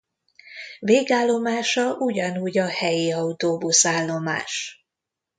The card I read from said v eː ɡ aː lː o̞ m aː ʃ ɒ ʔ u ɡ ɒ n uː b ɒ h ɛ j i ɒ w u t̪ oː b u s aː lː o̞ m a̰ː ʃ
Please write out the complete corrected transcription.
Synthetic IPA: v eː ɡ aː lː o̞ m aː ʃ ɒ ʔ u ɟ ɒ n uː ɟ ɒ h ɛ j i ɒ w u t̪ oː b u s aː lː o̞ m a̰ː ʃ